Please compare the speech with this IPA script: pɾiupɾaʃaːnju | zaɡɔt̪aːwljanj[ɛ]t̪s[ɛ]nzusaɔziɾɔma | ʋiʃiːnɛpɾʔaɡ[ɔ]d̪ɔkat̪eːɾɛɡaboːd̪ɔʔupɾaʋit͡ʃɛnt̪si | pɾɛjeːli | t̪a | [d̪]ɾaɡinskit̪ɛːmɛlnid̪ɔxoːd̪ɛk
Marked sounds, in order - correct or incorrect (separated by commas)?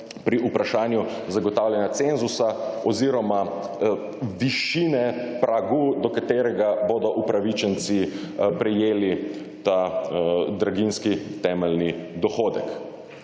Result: incorrect, incorrect, incorrect, correct